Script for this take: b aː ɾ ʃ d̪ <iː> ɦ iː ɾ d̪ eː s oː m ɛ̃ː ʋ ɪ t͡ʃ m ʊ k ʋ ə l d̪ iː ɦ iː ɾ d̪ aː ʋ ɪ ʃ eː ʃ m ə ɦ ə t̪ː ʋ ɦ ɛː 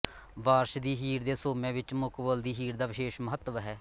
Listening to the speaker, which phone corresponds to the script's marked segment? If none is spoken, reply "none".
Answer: iː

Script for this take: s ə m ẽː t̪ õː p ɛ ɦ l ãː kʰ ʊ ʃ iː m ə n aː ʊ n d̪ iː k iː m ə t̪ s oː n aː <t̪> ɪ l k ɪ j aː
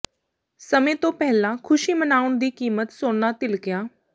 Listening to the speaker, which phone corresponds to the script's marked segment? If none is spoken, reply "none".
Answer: t̪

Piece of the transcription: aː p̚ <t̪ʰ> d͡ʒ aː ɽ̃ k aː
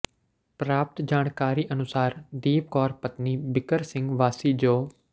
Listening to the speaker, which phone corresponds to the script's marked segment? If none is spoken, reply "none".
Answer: t̪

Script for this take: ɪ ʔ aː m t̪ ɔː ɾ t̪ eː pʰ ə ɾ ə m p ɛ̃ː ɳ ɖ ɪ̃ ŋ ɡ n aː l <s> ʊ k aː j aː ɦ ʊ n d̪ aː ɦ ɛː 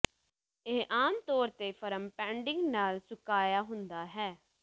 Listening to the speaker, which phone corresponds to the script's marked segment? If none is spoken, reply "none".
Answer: s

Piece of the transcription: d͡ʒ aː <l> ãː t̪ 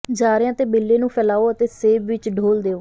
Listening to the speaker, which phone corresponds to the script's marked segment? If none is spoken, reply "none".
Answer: ɾ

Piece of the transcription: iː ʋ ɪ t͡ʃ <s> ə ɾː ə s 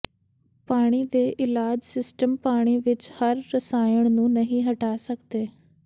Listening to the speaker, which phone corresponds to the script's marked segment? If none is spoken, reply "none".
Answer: h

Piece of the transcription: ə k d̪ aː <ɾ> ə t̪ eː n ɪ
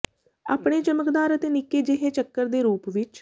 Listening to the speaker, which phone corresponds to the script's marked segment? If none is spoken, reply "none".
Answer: ɾ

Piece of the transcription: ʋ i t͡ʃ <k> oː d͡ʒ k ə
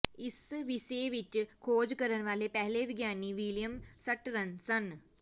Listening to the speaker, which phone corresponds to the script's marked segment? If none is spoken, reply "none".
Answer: kʰ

